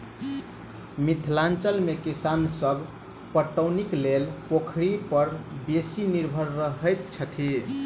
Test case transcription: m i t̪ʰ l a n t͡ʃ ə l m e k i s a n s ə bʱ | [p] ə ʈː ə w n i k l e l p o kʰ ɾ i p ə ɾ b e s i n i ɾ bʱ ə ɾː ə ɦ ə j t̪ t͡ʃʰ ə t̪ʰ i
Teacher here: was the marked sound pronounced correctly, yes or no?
yes